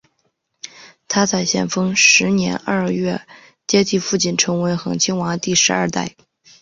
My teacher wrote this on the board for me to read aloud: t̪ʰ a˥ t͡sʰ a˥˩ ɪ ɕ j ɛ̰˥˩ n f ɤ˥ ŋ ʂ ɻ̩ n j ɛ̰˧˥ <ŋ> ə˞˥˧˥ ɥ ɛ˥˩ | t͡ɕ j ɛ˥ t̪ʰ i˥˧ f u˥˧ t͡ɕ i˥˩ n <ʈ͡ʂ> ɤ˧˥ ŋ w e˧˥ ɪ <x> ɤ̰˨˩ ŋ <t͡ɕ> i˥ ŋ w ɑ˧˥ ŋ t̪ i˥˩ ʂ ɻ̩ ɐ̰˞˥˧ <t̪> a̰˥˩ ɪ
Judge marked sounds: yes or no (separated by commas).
no, no, yes, no, yes